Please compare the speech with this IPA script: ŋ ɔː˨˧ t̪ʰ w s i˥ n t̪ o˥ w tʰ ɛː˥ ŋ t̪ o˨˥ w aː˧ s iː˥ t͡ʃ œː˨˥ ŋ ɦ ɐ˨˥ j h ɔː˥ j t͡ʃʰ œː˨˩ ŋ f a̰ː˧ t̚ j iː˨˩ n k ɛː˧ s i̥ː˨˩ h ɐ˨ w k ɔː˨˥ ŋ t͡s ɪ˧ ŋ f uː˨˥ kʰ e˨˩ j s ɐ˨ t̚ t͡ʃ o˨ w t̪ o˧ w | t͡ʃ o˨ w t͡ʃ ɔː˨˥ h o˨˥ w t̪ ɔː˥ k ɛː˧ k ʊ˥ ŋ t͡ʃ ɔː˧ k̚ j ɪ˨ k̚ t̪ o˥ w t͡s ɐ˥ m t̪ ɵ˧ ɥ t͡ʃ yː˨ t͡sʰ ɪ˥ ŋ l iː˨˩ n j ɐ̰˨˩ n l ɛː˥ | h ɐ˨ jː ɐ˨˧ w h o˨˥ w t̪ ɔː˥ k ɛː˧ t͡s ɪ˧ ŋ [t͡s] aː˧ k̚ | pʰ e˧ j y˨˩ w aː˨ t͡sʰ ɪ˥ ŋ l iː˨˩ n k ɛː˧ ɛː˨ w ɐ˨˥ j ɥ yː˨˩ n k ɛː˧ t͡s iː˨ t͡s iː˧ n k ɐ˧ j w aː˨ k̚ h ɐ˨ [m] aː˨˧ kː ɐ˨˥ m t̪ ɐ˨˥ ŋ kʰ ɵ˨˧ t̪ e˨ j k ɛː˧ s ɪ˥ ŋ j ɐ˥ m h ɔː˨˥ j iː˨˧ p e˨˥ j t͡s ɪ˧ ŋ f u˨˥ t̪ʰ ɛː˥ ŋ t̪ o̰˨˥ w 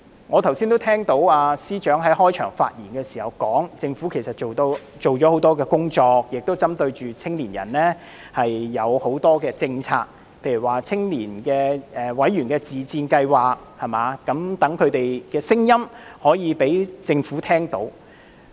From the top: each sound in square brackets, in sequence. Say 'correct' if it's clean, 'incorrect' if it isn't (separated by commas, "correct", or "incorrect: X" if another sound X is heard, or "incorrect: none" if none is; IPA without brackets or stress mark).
incorrect: t͡sʰ, correct